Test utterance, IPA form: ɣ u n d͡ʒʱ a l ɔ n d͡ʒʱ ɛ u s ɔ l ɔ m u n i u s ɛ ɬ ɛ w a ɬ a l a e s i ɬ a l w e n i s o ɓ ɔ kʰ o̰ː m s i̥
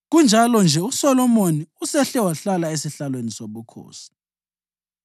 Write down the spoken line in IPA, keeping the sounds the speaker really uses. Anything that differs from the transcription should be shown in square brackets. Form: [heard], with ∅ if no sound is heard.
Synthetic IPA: ɣ u n d͡ʒʱ a l ɔ n d͡ʒʱ ɛ u s ɔ l ɔ m [o] n i u s ɛ ɬ ɛ w a ɬ a l a e s i ɬ a l w e n i s o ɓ [u] kʰ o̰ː [∅] s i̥